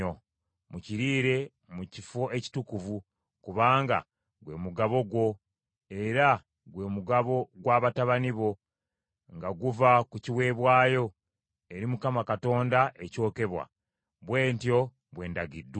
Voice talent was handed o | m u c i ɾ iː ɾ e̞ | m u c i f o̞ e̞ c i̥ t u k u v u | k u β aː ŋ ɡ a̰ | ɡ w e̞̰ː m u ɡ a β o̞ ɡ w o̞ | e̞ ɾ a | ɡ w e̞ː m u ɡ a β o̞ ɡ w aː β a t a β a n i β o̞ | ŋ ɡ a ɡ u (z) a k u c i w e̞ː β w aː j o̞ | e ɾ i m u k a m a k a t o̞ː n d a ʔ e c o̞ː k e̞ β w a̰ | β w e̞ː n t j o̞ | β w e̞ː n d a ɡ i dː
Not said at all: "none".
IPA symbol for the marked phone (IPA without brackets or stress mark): v